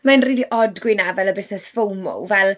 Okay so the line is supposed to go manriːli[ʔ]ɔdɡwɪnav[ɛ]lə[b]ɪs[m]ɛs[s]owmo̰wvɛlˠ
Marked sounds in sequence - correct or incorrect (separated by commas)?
correct, correct, correct, incorrect, incorrect